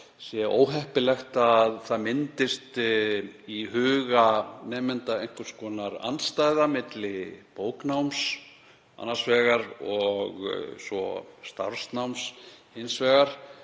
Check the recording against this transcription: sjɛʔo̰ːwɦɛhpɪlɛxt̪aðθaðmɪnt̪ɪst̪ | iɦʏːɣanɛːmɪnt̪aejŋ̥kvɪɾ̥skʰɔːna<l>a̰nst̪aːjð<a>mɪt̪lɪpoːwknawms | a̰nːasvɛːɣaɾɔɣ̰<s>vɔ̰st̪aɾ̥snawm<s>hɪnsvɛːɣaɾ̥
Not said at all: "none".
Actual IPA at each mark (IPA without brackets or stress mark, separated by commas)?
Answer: ɾ, a, s, s